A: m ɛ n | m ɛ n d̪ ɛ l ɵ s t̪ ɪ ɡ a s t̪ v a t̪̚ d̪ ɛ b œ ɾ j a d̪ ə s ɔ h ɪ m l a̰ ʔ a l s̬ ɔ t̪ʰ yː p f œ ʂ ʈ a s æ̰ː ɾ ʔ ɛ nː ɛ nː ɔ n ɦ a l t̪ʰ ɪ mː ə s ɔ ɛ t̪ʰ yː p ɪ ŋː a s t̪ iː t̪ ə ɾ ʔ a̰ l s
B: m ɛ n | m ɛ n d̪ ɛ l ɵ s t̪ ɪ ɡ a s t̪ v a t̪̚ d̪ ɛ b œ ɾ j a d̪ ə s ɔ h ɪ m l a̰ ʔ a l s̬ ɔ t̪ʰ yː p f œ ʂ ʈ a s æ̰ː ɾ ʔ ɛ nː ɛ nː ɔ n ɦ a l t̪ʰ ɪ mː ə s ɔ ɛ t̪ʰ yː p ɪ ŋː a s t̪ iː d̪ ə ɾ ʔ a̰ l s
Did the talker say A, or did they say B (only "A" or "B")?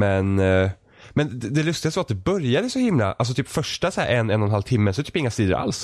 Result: B